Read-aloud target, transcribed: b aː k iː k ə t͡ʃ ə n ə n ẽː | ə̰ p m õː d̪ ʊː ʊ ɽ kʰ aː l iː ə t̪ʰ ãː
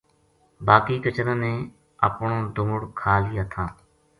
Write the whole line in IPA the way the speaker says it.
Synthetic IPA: b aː k iː k ə t͡ʃ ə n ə n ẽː | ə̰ p ɳ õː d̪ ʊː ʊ ɽ kʰ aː l iː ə t̪ʰ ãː